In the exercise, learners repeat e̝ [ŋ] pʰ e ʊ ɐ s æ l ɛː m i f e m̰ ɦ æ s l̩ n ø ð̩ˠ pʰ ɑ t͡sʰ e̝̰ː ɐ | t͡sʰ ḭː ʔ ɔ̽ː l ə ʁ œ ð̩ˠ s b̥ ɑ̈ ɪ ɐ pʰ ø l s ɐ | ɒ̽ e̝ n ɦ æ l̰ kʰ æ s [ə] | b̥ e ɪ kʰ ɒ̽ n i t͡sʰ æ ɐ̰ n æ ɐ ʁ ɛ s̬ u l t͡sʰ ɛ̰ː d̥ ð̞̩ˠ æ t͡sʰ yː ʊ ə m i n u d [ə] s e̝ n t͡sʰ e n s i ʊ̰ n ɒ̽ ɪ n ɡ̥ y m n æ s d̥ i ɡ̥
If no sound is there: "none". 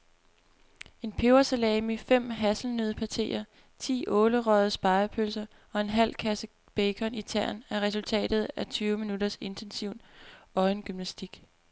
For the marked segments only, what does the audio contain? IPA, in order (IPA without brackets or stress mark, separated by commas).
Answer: n, ə, ɐ